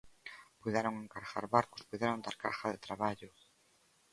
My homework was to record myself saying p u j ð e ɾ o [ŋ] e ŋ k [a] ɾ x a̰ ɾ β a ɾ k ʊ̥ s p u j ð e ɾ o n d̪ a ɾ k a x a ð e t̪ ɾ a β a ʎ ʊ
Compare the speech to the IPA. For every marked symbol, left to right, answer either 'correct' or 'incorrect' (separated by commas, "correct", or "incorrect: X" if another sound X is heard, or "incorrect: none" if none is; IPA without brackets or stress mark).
correct, correct